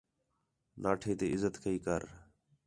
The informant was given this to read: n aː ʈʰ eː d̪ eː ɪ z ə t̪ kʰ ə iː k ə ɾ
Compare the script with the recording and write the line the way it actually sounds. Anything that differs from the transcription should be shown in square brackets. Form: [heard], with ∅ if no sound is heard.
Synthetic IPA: n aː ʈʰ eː [t̪] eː ɪ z ə t̪ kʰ ə iː k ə ɾ